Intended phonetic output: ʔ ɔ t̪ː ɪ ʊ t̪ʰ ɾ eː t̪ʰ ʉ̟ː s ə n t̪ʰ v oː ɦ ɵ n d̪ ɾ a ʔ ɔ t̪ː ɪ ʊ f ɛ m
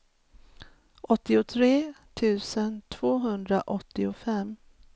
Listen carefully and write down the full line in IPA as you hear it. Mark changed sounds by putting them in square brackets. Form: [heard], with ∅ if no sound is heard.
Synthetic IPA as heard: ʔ ɔ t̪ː ɪ ʊ t̪ʰ ɾ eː t̪ʰ ʉ̟ː s ə n t̪ʰ v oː ɦ ɵ n d̪ ɾ a ʔ ɔ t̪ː ɪ ʊ f ɛ m